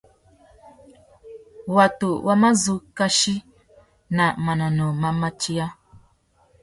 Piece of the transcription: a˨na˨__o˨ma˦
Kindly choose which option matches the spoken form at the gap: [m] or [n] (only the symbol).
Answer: n